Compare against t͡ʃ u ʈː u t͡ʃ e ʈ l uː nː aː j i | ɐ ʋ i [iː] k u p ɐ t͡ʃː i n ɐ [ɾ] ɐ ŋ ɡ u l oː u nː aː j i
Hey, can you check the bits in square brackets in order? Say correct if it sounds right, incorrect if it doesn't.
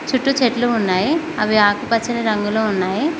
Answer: incorrect, correct

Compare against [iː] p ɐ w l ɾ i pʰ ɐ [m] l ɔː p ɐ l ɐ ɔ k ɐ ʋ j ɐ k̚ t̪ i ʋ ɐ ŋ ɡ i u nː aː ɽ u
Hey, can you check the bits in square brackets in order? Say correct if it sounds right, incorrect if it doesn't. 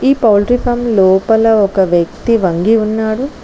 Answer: correct, correct

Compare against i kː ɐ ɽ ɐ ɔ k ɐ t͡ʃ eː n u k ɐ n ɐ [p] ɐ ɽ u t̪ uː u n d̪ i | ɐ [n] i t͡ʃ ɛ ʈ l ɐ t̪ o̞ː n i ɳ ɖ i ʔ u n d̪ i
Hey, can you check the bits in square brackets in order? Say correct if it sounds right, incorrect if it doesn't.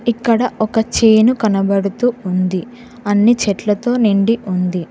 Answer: incorrect, incorrect

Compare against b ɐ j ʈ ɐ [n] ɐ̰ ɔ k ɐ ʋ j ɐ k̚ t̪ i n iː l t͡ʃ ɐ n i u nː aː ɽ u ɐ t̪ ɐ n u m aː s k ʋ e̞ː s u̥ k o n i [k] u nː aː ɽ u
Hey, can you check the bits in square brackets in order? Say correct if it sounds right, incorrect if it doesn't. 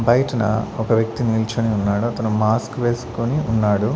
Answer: correct, incorrect

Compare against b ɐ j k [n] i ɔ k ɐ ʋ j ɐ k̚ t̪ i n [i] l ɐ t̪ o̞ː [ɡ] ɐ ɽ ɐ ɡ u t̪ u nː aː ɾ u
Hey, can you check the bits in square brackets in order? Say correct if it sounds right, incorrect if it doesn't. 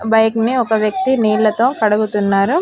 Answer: correct, incorrect, incorrect

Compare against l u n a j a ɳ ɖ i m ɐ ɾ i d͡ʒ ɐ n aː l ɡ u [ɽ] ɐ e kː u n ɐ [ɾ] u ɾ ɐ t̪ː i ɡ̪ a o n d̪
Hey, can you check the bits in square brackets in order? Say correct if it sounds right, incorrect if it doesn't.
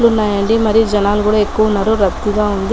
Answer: correct, correct

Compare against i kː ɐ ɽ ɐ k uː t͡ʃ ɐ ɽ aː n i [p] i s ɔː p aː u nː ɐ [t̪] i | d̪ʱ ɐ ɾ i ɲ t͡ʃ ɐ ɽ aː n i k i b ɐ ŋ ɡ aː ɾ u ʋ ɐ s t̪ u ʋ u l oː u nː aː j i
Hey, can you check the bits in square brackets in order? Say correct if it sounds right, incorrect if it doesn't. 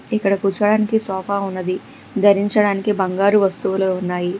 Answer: incorrect, incorrect

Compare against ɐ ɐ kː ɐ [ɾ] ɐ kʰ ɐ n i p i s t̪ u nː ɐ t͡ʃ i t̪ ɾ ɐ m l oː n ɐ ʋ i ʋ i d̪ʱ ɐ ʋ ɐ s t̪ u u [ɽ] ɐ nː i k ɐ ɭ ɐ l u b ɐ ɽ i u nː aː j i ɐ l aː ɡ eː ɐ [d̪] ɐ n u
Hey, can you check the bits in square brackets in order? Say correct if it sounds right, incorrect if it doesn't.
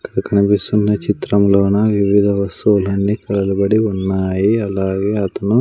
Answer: incorrect, incorrect, incorrect

